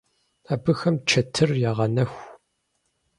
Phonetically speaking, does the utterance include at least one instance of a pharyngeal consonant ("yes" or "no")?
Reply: no